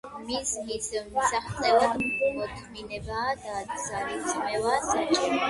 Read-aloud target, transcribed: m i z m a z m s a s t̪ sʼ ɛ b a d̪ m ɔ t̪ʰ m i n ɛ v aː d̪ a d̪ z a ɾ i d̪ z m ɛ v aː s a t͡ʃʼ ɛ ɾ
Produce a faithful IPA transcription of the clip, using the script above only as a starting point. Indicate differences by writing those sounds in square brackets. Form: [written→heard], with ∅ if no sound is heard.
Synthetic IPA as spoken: m i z m [a→i] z m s a [s→χ] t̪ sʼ ɛ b a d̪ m ɔ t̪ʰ m i n ɛ [v→b] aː d̪ a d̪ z a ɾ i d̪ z m ɛ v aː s a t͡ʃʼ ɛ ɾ